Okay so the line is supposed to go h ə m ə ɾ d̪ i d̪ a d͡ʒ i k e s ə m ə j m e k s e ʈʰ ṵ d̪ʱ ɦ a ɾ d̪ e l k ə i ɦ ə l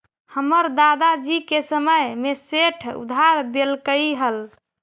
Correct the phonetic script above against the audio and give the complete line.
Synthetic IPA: h ə m ə ɾ d̪ a d̪ a d͡ʒ i k e s ə m ə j m e s e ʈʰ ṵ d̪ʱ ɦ a ɾ d̪ e l k ə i ɦ ə l

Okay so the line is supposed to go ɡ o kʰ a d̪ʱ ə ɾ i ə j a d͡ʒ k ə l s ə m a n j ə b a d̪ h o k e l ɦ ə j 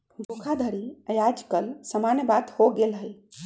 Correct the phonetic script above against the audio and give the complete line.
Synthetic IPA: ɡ o kʰ a d̪ʱ ə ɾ i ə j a d͡ʒ k ə l s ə m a n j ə b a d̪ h o ɡ e l ɦ ə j

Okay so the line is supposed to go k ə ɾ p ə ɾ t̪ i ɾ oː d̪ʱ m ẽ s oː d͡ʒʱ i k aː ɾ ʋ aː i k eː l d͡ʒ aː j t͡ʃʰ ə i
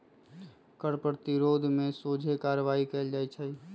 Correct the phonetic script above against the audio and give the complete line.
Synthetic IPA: k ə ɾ p ə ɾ t̪ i ɾ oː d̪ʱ m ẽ s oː d͡ʒʱ e k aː ɾ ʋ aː i k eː l d͡ʒ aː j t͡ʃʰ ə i

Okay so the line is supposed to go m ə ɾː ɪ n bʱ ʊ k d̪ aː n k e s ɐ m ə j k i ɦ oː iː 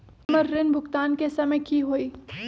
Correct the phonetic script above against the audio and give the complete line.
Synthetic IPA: m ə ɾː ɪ n bʱ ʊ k t̪ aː n k e s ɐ m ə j k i ɦ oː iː

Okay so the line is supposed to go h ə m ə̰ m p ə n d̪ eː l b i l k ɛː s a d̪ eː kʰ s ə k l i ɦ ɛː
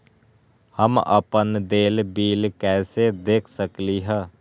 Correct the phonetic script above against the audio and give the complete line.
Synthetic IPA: h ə m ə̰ p ə n d̪ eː l b iː l k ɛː s e d̪ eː kʰ s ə k l i ɦ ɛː

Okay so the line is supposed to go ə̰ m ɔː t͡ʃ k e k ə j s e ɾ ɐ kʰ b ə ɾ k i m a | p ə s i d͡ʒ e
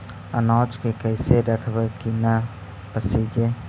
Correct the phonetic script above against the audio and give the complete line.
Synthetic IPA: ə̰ n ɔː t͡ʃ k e k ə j s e ɾ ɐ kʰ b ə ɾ k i n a | p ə s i d͡ʒ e

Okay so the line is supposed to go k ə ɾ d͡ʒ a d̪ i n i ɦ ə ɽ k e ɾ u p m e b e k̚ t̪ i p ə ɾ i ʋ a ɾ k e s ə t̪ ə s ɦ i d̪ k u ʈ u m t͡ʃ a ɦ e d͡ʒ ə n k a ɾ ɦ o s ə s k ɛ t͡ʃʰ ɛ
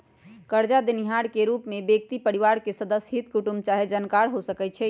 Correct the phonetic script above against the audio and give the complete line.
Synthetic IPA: k ə ɾ d͡ʒ a d̪ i n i ɦ a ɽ k e ɾ u p m e b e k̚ t̪ i p ə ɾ i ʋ a ɾ k e s ə d̪ ə s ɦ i t̪ k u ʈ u m t͡ʃ a ɦ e d͡ʒ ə n k a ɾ ɦ o s ə k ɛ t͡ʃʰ ɛ

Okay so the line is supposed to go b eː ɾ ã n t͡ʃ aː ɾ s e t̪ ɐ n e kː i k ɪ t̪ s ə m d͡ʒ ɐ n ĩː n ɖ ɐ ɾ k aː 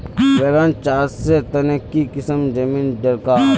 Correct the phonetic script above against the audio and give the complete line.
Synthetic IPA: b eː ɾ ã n t͡ʃ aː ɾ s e t̪ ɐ n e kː i k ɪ s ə m d͡ʒ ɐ m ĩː n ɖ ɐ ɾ k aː

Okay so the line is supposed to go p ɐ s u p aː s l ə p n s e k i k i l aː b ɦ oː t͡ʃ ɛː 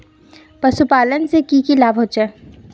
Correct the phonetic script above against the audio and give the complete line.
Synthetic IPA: p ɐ s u p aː l ə n s e k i k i l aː b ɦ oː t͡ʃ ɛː

